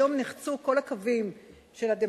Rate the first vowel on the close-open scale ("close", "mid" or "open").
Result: mid